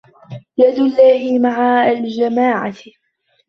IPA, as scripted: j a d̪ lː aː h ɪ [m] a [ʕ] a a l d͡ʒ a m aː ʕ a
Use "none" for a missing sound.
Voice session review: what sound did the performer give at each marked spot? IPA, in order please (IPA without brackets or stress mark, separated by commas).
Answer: m, ʕ